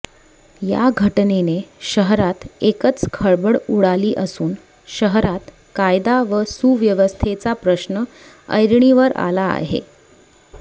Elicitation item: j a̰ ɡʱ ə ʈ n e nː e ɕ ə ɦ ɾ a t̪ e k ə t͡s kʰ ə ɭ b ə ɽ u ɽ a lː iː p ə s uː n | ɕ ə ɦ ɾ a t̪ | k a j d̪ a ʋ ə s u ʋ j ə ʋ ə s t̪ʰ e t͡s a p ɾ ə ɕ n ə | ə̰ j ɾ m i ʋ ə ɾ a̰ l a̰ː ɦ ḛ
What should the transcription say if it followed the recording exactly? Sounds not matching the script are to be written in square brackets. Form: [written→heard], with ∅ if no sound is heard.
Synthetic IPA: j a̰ ɡʱ ə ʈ n e [nː→n] e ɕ ə ɦ ɾ a t̪ e k ə t͡s kʰ ə ɭ b ə ɽ u ɽ a [lː→l] iː [p→ʔ] ə s uː n | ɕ ə ɦ ɾ a t̪ | k a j d̪ a ʋ ə s u ʋ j ə ʋ ə s t̪ʰ e t͡s a p ɾ ə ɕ n ə | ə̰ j ɾ [m→ɳ] i ʋ ə ɾ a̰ l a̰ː ɦ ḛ

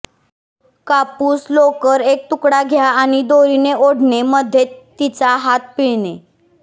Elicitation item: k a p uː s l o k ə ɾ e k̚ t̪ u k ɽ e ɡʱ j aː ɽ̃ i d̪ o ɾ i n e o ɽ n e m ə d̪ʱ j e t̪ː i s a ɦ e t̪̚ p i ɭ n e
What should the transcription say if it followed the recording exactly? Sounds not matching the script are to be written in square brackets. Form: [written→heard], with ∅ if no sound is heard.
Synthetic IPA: k a p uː s l o k ə ɾ e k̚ t̪ u k ɽ [e→a] ɡʱ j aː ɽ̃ i d̪ o ɾ i n e o ɽ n e m ə d̪ʱ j e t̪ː i [s→t͡s] a ɦ [e→a] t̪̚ p i ɭ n e

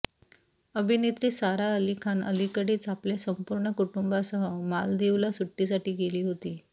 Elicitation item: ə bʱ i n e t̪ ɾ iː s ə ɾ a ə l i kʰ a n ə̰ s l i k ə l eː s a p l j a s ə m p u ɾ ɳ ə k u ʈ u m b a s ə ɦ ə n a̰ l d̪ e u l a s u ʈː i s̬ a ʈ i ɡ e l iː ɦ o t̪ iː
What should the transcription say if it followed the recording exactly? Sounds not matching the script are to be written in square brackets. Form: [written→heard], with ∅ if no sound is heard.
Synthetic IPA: ə bʱ i n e t̪ ɾ iː s [ə→a] ɾ a ə l i kʰ a n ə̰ [s→∅] l i k ə [l→ɽ] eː [s→t͡s] a p l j a s ə m p u ɾ ɳ ə k u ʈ u m b a s ə ɦ ə [n→m] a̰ l d̪ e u l a s u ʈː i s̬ a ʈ [i→iː] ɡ e l iː ɦ o t̪ iː

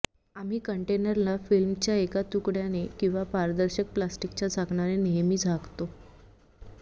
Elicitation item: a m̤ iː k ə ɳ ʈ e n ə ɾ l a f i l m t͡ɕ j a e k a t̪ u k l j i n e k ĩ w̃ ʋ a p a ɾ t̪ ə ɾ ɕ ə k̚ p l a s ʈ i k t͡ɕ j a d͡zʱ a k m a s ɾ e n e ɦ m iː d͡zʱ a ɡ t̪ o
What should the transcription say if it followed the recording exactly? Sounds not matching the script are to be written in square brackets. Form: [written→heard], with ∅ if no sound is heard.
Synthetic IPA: a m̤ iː k ə ɳ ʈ e n ə ɾ l a f i l m t͡ɕ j a e k a t̪ u k [l→ɽ] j [i→a] n e k ĩ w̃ ʋ a p a ɾ [t̪→d̪] ə ɾ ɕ ə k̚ p l a s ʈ i k t͡ɕ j a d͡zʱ a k [m→ɳ] a [s→∅] ɾ e n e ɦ m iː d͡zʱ a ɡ t̪ o

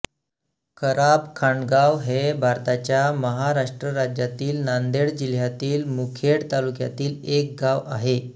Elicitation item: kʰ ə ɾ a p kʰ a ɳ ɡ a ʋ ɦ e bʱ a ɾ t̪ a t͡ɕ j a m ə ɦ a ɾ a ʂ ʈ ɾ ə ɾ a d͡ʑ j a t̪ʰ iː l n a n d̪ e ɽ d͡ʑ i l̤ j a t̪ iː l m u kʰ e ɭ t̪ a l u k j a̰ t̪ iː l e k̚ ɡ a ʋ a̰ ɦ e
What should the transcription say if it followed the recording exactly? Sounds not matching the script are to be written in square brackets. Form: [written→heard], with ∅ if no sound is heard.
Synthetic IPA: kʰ ə ɾ a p kʰ a ɳ ɡ a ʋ ɦ e bʱ a ɾ t̪ a t͡ɕ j a m ə ɦ a ɾ a ʂ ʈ ɾ ə ɾ a d͡ʑ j a [t̪ʰ→t̪] iː l n a n d̪ e ɽ d͡ʑ i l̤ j a t̪ iː l m u kʰ e [ɭ→ɽ] t̪ a l u k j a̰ t̪ iː l e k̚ ɡ a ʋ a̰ ɦ e

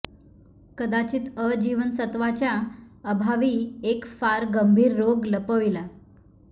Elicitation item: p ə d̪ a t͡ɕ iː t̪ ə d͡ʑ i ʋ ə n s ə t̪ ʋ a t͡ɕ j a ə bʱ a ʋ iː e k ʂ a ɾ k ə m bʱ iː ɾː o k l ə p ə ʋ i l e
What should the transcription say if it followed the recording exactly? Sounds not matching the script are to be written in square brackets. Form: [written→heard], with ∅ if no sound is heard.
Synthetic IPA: [p→k] ə d̪ a t͡ɕ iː t̪ ə d͡ʑ i ʋ ə n s ə t̪ ʋ a t͡ɕ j a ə bʱ a ʋ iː e k [ʂ→f] a ɾ [k→ɡ] ə m bʱ iː ɾː o [k→ɡ] l ə p ə ʋ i l [e→a]

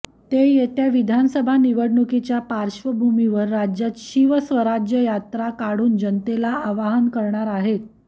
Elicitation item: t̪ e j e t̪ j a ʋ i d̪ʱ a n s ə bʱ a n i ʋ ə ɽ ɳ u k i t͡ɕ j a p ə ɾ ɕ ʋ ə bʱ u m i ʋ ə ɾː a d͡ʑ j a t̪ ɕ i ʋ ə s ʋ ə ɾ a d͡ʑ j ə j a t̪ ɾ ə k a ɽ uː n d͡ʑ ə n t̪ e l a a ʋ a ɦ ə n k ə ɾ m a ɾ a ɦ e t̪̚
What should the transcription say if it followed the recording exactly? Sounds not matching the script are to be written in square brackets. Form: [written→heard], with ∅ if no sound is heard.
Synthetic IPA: t̪ e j e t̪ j a ʋ i d̪ʱ a n s ə bʱ a n i ʋ ə ɽ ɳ u k i t͡ɕ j a p [ə→a] ɾ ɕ ʋ ə bʱ u m i ʋ ə ɾː a d͡ʑ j a t̪ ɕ i ʋ ə s ʋ ə ɾ a d͡ʑ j ə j a t̪ ɾ [ə→a] k a ɽ uː n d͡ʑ ə n t̪ e l a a ʋ a ɦ ə n k ə ɾ [m→ɳ] a ɾ a ɦ e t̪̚

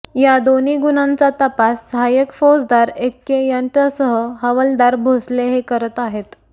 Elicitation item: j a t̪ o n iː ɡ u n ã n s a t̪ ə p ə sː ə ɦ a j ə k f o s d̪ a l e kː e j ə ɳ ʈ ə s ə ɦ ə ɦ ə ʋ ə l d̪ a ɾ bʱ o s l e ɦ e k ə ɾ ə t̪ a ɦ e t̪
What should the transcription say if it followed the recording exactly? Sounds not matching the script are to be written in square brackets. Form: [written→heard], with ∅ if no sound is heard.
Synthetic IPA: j a [t̪→d̪] o n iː ɡ u n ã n [s→t͡s] a t̪ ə p [ə→a] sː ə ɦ a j ə k f o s d̪ a [l→ɾ] e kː e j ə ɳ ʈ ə s ə ɦ ə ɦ ə ʋ ə l d̪ a ɾ bʱ o s l e ɦ e k ə ɾ ə t̪ a ɦ e t̪

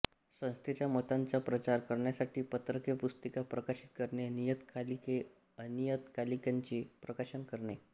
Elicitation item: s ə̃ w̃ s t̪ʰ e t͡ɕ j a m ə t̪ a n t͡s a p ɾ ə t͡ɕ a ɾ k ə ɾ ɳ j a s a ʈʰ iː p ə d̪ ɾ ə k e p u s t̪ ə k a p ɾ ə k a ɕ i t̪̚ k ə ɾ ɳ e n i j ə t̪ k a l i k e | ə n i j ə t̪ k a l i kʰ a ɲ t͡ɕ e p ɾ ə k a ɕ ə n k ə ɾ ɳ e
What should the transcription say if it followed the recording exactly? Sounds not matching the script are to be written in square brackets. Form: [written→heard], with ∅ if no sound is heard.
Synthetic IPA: s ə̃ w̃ s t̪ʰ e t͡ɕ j a m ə t̪ a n t͡s a p ɾ ə t͡ɕ a ɾ k ə ɾ ɳ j a s a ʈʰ iː p ə [d̪→t̪] ɾ ə k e p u s t̪ ə k a p ɾ ə k a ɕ i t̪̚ k ə ɾ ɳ e n i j ə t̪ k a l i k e | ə n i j ə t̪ k a l i [kʰ→k] a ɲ t͡ɕ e p ɾ ə k a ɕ ə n k ə ɾ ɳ e

